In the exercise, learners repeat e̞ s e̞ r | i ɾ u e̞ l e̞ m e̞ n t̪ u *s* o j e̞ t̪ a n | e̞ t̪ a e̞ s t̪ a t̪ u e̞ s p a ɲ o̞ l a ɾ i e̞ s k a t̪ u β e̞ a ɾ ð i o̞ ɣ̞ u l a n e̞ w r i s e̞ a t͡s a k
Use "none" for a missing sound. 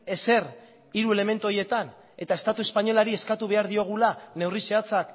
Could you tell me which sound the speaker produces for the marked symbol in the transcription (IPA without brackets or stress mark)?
none